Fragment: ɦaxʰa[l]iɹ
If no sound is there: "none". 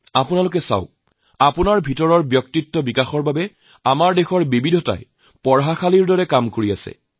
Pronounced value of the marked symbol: l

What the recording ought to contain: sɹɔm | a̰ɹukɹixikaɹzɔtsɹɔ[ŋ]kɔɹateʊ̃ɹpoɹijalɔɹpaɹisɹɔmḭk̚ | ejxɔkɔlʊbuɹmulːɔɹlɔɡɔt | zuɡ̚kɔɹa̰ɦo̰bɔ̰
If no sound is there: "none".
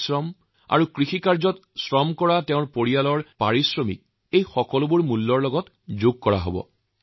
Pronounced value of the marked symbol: m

